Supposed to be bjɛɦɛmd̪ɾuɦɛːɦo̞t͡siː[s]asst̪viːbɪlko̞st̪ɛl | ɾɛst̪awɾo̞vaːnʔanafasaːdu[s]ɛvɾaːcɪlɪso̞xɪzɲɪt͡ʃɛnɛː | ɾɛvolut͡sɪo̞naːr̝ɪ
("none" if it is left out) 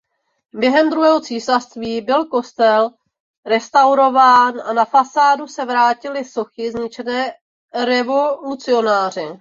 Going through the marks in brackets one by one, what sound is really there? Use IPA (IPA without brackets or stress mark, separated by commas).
s, s